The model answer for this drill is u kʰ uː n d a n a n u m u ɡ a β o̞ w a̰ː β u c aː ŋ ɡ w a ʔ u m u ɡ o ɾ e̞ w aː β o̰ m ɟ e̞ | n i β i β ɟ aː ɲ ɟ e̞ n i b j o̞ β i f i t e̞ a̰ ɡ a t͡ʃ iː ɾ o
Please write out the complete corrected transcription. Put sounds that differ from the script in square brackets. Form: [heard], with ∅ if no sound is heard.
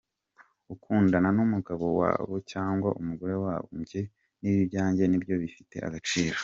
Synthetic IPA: u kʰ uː n d a n a n u m u ɡ a β o̞ w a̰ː β [o] c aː ŋ ɡ w a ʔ u m u ɡ o ɾ e̞ w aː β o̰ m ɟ e̞ | n i β i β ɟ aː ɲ ɟ e̞ n i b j o̞ β i f i t e̞ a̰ ɡ a t͡ʃ iː ɾ o